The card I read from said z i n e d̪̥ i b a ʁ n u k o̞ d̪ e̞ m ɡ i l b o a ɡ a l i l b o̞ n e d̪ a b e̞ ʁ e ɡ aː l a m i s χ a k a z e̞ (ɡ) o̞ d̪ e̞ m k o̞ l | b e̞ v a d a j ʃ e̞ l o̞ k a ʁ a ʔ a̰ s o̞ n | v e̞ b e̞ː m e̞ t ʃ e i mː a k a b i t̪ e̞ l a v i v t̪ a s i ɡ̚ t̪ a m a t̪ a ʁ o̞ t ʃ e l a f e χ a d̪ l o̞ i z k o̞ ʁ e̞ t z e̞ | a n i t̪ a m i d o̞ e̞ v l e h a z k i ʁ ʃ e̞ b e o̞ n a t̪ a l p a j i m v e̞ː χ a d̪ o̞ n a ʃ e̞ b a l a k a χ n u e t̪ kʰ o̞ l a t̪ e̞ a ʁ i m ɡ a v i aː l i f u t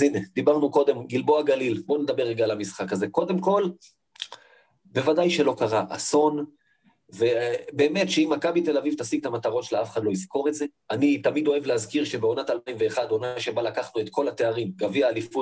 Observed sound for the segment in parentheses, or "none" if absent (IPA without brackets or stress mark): k